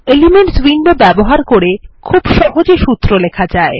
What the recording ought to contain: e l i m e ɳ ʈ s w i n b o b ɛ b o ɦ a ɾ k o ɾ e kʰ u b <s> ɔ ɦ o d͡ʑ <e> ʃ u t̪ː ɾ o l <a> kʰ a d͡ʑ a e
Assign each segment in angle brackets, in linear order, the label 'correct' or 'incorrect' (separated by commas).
incorrect, correct, incorrect